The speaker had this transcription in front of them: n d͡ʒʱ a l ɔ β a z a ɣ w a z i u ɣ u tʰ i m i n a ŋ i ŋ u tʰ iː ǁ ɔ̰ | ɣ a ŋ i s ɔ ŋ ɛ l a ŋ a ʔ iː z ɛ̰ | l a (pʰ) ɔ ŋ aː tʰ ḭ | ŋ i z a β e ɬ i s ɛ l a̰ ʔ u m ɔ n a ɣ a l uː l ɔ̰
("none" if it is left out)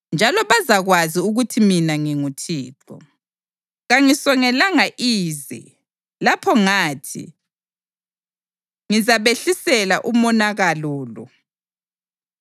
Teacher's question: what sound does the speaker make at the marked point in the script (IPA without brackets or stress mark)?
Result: pʰ